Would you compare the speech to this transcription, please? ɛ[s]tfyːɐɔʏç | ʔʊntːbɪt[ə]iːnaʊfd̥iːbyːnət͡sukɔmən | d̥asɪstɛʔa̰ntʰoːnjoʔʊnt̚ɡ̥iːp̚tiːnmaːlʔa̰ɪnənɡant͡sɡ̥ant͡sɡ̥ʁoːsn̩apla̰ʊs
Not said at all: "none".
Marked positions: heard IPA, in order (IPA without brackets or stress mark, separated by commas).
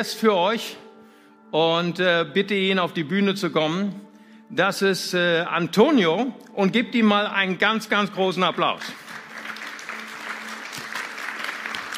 s, ə